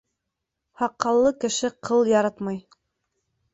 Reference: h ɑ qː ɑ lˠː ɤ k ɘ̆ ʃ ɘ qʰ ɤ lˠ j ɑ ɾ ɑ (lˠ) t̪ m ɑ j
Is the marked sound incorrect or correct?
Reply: incorrect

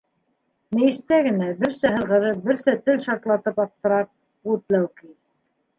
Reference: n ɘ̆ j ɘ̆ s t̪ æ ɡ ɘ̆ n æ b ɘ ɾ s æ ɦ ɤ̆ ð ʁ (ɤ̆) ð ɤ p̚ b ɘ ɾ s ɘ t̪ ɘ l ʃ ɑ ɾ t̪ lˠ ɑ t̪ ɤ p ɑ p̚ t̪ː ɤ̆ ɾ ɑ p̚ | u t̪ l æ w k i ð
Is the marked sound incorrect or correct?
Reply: correct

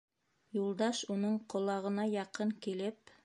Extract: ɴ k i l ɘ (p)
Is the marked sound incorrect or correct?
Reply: correct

